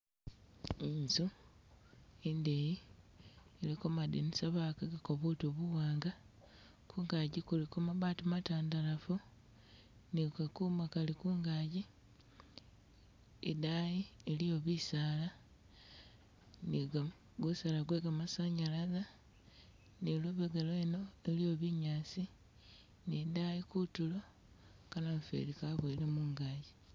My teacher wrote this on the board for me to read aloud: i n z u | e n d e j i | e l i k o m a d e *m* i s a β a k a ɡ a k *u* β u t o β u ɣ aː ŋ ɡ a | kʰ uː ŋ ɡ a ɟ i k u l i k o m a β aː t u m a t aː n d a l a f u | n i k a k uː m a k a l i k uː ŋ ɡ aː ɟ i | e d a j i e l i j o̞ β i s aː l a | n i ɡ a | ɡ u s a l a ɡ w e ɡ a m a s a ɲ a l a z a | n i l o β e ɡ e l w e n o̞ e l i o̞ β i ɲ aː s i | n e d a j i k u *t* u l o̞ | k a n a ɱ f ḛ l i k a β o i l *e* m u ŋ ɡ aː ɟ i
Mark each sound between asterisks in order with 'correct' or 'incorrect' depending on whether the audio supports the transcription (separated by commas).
incorrect, incorrect, correct, correct